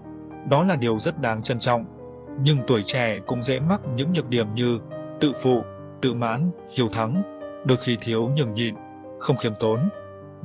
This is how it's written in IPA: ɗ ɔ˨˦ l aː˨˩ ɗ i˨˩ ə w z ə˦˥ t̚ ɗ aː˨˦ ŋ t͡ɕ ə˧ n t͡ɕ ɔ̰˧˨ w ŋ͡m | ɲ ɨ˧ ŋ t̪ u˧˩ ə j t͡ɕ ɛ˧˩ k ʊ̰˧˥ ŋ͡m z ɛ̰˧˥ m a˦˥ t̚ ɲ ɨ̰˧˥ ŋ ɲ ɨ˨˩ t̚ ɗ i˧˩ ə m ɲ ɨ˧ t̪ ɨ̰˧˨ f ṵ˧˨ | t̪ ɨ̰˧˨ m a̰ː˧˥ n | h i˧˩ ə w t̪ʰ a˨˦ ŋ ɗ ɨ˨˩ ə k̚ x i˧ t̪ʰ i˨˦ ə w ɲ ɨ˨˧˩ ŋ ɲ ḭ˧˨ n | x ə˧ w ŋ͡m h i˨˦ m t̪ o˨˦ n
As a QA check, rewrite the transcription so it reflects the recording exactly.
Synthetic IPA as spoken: ɗ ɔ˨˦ l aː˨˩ ɗ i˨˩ ə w z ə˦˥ t̚ ɗ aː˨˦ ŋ t͡ɕ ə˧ n t͡ɕ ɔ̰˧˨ w ŋ͡m | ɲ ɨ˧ ŋ t̪ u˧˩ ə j t͡ɕ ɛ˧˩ k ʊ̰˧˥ ŋ͡m z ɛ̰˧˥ m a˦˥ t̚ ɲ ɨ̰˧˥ ŋ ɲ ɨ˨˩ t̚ ɗ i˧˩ ə m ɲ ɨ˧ t̪ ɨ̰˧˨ f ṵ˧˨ | t̪ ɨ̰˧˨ m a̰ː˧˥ n | h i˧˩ ə w t̪ʰ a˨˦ ŋ ɗ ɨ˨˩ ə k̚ x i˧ t̪ʰ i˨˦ ə w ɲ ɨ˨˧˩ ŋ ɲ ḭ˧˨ n | x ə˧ w ŋ͡m x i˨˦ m t̪ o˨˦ n